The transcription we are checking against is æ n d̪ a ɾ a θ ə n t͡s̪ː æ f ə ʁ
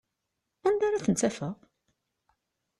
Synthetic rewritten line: æ n d̪ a ɾ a θ ə n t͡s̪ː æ f ə ʁ